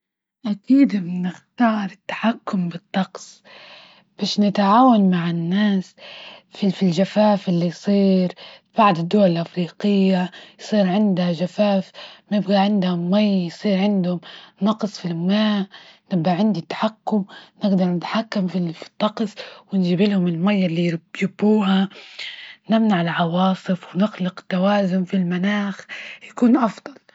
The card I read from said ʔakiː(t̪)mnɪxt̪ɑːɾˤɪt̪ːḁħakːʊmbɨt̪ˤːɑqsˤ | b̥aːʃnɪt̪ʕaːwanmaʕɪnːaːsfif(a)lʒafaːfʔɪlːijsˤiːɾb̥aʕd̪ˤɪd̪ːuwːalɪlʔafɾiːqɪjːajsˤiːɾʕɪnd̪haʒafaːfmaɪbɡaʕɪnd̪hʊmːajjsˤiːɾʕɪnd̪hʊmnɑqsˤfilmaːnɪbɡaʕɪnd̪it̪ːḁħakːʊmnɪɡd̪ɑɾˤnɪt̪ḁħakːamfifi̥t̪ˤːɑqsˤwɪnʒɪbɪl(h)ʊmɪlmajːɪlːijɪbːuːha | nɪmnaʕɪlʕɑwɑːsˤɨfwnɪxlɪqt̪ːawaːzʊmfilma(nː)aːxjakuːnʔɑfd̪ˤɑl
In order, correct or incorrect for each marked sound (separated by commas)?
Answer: incorrect, incorrect, correct, incorrect